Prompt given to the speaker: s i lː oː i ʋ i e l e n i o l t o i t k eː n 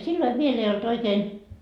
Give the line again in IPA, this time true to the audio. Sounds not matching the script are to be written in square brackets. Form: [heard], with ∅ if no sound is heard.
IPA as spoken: s i lː [o] i ʋ i e l e [∅] i o l t o i [∅] k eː n